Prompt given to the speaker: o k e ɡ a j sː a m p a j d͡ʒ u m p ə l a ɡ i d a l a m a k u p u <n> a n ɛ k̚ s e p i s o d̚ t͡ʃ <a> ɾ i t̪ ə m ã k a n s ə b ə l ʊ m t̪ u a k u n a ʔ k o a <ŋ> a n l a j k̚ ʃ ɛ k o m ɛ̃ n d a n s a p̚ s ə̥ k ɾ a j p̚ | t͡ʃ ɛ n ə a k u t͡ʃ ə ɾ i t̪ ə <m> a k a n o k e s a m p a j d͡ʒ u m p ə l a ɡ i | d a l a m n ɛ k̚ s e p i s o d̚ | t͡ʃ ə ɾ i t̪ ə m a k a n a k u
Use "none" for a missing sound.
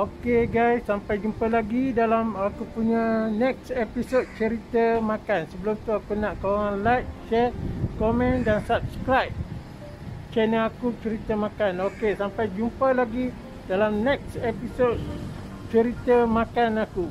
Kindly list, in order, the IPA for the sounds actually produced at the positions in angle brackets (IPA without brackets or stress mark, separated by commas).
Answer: ɲ, ə, ŋ, m